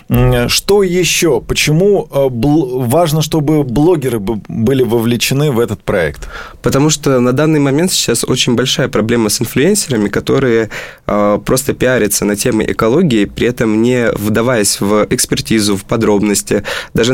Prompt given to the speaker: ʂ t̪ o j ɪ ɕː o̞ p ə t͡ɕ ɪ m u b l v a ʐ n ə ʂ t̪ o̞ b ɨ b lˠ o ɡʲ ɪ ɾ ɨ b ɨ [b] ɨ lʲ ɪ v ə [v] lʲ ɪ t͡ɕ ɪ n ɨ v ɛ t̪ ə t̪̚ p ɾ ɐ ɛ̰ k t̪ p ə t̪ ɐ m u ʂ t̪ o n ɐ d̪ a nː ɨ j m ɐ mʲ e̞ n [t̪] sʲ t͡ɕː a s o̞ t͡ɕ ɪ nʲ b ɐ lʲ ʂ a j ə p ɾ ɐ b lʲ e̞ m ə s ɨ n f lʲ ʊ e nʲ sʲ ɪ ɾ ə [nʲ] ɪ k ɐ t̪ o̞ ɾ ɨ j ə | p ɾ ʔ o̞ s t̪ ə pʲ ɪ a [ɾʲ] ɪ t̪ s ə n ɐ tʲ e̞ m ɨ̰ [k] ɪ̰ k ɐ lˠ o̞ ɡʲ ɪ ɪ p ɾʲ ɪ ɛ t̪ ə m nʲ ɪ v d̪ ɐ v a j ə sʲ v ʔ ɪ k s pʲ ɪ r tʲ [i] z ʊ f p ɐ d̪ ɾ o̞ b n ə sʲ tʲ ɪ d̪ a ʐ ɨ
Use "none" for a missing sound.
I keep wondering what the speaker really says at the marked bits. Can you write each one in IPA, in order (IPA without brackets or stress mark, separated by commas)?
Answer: b, v, t̪, mʲ, ɾʲ, ʔ, i